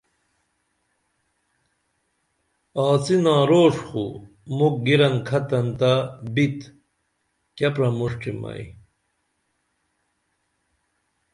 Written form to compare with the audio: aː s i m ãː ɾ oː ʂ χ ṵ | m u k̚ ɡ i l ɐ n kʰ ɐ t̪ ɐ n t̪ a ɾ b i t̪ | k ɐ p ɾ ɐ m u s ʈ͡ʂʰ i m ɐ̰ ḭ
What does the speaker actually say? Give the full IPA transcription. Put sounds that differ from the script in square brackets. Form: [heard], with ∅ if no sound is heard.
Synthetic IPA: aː [t͡s] i [n] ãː ɾ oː ʂ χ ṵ | m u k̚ ɡ i [ɾ] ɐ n kʰ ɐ t̪ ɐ n t̪ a [∅] b i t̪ | k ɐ p ɾ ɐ m u [ʂ] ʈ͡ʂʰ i m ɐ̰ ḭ